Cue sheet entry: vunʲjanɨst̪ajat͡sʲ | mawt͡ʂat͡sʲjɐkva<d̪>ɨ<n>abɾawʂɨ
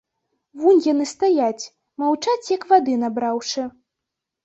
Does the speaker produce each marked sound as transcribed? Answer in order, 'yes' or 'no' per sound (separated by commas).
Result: yes, yes